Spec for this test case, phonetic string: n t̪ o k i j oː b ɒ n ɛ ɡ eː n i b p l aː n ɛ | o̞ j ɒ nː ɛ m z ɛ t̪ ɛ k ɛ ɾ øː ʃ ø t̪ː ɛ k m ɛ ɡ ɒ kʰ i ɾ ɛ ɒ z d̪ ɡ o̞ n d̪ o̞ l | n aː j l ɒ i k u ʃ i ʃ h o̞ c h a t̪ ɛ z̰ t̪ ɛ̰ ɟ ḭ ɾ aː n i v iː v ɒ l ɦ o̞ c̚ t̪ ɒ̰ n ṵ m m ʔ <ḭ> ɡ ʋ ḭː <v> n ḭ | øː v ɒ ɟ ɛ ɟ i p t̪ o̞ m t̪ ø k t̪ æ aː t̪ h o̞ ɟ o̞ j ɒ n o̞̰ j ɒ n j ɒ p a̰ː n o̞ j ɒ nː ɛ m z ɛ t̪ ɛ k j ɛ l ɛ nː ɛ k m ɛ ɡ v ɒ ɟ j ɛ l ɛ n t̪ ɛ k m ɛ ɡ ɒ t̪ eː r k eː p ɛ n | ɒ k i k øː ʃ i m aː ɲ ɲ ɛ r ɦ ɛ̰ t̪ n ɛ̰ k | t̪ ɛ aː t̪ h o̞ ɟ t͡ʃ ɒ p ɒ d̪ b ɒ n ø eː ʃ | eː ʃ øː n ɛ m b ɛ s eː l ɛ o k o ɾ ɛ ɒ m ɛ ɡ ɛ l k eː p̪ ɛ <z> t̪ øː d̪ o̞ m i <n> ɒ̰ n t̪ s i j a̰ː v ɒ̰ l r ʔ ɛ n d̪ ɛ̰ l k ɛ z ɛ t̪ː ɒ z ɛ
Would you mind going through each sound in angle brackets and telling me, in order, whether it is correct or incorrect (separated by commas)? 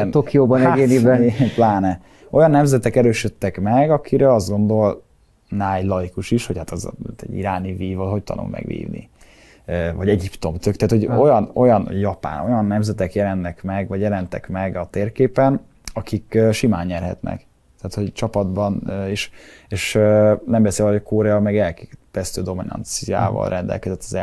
incorrect, correct, incorrect, correct